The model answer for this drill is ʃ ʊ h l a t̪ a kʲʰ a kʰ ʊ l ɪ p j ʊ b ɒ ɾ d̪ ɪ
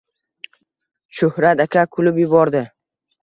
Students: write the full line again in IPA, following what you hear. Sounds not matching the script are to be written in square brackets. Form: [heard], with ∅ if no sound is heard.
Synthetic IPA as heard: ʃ ʊ h [ɾ] a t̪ a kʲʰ a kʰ ʊ l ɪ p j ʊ b ɒ ɾ d̪ ɪ